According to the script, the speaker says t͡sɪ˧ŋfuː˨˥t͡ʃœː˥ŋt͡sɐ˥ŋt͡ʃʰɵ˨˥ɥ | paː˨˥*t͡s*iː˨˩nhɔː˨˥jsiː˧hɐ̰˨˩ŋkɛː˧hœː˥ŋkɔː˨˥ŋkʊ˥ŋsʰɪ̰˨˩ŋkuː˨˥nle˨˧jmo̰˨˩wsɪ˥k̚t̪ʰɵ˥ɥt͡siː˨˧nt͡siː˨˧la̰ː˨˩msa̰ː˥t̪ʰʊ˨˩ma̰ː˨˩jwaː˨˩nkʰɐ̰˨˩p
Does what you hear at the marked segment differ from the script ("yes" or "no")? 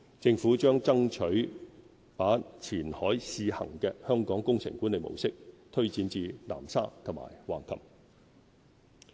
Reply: yes